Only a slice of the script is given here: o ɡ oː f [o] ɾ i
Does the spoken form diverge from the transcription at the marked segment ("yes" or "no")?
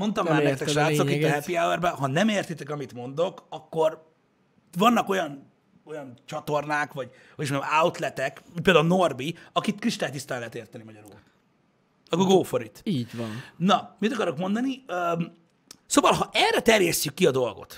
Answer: no